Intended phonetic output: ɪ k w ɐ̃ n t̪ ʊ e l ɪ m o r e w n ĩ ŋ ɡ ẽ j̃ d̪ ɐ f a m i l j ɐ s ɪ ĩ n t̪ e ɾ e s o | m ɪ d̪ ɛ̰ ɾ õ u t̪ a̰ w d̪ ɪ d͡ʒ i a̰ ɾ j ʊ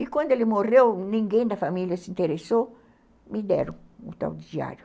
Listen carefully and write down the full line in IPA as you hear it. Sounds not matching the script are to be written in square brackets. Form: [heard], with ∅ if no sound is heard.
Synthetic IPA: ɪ k w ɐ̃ n [d̪] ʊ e l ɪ m o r e w n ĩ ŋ ɡ ẽ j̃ d̪ ɐ f a m i l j ɐ s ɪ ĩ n t̪ e ɾ e s o | m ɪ d̪ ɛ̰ ɾ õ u t̪ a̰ w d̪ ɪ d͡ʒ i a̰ ɾ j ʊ